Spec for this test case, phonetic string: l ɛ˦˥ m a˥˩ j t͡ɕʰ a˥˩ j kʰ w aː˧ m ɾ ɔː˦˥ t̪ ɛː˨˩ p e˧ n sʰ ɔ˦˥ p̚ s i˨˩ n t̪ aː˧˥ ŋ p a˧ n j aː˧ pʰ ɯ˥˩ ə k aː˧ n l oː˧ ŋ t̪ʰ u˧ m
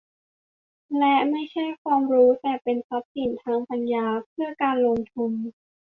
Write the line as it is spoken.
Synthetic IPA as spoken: l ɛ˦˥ m a˥˩ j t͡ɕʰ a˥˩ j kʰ w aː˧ m ɾ uː˦˥ t̪ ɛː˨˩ p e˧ n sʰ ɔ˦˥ p̚ s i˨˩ n t̪ʰ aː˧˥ ŋ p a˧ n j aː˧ pʰ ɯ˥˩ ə k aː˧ n l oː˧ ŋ t̪ʰ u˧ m